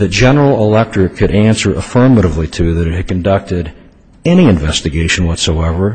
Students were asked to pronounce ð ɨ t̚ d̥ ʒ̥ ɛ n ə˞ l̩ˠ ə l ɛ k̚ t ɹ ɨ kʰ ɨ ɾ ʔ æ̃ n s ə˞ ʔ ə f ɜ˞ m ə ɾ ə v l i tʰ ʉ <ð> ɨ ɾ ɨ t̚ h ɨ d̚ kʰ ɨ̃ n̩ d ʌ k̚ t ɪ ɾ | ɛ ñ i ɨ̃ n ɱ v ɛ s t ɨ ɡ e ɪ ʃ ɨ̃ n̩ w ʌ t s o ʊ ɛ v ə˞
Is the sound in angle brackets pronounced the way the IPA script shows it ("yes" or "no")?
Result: yes